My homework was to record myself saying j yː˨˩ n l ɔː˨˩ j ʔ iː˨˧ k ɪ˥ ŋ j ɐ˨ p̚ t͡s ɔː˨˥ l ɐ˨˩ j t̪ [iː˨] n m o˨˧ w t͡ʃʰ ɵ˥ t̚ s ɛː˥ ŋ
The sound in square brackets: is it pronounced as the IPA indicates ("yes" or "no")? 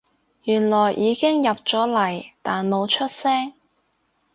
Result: no